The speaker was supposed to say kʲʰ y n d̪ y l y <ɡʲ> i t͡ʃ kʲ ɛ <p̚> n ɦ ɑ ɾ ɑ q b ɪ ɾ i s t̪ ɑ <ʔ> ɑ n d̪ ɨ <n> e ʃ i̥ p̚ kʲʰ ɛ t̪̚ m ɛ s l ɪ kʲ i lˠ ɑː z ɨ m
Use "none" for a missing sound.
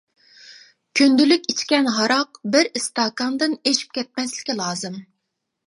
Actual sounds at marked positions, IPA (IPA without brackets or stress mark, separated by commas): kʲ, none, k, n